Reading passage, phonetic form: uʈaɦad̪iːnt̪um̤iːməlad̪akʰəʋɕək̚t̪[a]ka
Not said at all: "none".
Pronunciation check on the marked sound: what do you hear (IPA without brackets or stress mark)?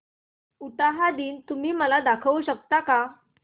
a